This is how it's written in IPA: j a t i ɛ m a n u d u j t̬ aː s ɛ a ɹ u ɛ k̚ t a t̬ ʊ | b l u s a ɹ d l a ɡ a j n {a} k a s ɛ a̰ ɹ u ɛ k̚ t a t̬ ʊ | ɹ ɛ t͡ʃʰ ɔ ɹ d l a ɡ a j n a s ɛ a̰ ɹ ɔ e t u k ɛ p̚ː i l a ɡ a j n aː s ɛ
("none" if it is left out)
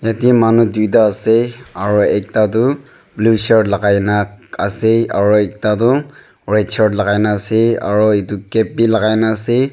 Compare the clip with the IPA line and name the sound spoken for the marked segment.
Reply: a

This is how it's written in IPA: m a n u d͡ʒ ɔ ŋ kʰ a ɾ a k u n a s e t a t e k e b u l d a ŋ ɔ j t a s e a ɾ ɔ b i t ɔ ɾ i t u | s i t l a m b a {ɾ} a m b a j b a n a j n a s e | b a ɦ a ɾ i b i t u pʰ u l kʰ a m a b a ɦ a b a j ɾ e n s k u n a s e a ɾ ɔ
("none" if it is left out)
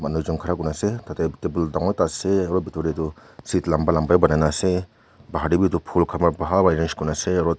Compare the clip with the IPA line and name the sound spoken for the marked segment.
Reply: l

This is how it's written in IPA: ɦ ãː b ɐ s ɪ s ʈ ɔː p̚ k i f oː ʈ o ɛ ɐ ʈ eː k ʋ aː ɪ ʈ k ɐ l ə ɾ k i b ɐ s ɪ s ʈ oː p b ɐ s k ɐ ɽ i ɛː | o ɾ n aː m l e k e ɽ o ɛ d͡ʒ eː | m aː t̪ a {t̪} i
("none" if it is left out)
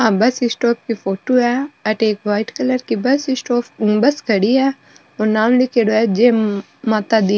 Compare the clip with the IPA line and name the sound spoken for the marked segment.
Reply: d̪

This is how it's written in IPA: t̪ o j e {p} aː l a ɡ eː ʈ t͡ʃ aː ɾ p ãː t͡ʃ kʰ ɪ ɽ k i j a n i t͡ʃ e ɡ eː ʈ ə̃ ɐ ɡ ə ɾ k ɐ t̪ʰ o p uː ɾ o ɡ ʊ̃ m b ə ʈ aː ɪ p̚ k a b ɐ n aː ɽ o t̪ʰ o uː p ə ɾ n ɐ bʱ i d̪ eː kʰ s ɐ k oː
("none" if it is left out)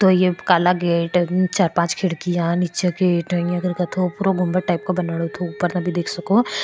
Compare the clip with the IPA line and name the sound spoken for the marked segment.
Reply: k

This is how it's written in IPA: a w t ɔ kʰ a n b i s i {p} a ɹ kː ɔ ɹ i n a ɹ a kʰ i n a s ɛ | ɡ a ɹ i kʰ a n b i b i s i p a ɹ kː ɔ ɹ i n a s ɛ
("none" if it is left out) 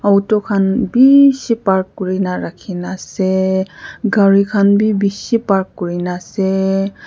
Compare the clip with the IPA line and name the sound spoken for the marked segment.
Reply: p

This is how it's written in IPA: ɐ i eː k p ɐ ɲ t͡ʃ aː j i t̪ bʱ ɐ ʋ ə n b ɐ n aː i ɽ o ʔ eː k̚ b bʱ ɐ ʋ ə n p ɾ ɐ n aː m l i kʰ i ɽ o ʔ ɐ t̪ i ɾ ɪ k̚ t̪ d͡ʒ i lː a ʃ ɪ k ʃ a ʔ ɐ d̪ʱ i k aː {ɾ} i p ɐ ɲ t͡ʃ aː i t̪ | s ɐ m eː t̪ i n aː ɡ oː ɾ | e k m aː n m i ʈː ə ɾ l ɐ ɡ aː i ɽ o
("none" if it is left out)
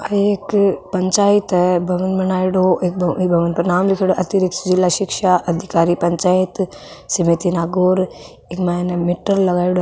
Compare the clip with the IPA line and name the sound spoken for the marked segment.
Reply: ɾ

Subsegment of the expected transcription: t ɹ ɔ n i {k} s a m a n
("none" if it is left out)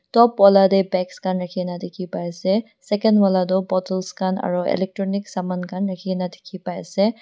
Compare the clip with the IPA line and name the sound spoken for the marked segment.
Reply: k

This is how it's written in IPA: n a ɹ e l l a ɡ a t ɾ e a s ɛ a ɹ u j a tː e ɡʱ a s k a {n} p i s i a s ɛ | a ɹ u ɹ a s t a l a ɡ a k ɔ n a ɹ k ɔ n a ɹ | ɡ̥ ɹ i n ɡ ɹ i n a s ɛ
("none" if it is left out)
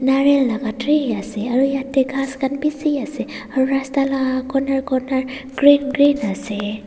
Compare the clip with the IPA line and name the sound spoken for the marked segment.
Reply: n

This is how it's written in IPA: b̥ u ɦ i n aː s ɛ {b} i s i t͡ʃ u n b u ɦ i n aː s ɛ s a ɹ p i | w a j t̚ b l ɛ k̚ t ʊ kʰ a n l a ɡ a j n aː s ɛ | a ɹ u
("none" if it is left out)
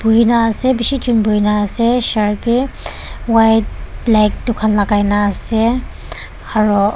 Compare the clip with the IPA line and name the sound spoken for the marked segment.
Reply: b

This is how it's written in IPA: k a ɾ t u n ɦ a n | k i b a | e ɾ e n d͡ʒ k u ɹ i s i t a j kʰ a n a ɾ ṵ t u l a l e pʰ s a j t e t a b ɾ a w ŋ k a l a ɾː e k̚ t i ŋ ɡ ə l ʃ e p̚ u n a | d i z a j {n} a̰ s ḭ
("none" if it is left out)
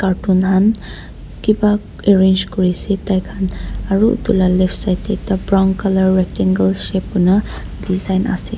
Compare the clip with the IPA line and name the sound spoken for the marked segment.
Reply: n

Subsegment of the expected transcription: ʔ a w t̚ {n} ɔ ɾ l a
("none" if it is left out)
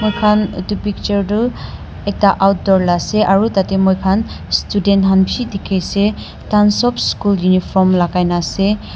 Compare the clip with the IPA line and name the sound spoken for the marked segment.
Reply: d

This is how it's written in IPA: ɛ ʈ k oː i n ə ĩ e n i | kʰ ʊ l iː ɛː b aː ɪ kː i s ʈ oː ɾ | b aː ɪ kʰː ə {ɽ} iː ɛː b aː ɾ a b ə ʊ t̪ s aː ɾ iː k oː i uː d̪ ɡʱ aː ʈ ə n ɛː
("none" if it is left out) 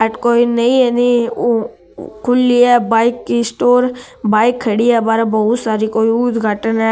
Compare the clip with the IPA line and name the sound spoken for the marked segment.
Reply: ɽ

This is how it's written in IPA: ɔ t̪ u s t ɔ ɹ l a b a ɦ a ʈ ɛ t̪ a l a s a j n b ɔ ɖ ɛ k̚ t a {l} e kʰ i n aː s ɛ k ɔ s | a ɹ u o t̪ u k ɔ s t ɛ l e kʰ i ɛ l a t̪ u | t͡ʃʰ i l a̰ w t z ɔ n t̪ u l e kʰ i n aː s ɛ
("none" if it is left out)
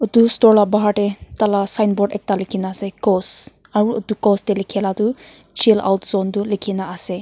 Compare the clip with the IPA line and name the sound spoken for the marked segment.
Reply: l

